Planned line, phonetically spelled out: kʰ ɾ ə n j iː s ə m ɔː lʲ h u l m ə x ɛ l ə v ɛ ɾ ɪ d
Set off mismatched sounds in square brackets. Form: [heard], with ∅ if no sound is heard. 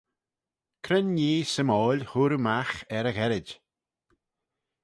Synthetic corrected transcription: kʰ ɾ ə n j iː s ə m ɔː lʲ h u [ɾ] m [a] x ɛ [ɾ] ə [ɣ] ɛ ɾ ɪ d